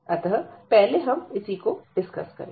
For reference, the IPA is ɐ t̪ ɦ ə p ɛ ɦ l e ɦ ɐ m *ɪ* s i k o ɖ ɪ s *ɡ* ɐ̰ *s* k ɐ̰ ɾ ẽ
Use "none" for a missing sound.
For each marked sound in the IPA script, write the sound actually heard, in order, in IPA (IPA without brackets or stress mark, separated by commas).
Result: ɪ, k, s